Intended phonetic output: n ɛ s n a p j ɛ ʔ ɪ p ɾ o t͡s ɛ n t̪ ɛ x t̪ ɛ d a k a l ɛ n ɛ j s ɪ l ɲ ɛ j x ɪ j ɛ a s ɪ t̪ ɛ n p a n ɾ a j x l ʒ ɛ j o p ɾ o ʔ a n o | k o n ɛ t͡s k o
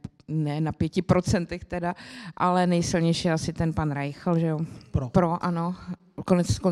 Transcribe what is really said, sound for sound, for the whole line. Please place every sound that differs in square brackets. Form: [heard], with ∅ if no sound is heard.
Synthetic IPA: n ɛ [∅] n a p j ɛ [c] ɪ p ɾ o t͡s ɛ n t̪ ɛ x t̪ ɛ d a [ʔ] a l ɛ n ɛ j s ɪ l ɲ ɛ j [ʃ] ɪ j ɛ a s ɪ t̪ ɛ n p a n ɾ a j x l ʒ ɛ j o p ɾ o ʔ a n o | k o n ɛ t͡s k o